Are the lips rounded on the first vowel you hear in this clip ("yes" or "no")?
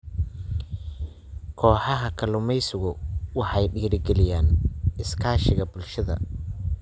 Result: yes